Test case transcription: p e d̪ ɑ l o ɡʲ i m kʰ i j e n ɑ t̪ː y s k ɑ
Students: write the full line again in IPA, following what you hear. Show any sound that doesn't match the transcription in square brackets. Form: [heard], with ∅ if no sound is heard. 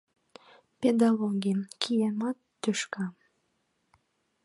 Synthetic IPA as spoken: p e d̪ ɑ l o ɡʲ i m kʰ i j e [m] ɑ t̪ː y [ʃ] k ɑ